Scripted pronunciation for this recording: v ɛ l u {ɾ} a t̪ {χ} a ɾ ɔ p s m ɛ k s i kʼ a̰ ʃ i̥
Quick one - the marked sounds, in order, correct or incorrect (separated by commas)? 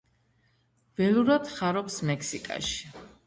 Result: correct, correct